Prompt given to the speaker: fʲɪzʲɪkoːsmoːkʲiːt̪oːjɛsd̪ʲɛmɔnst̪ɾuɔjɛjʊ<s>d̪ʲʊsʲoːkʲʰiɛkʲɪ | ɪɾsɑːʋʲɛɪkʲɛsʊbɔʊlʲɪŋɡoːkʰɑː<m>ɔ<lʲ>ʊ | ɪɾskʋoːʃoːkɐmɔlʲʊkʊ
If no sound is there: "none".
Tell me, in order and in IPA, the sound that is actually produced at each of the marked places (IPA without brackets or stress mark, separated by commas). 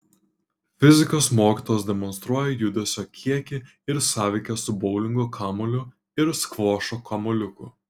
none, m, lʲ